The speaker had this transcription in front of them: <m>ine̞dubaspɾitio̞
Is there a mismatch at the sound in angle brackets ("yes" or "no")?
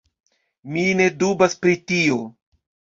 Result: no